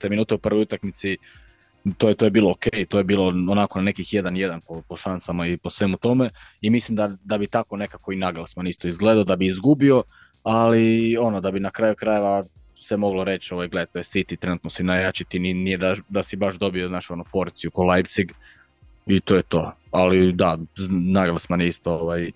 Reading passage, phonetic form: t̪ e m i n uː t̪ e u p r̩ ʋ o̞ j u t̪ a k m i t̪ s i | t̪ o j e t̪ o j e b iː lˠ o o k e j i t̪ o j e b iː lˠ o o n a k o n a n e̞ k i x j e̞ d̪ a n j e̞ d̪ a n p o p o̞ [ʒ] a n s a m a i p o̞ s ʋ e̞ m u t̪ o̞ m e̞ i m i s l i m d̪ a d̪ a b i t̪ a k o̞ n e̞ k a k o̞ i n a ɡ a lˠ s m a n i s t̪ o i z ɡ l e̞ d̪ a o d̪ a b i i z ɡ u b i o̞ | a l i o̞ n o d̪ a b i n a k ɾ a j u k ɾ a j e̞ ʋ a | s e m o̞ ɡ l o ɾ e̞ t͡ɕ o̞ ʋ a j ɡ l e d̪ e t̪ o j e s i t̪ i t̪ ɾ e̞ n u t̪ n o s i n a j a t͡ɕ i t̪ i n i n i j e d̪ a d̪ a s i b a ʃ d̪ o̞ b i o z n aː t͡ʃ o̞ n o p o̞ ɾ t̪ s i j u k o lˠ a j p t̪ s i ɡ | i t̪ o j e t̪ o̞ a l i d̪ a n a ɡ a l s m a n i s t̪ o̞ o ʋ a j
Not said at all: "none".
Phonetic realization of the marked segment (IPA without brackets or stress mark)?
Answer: ʃ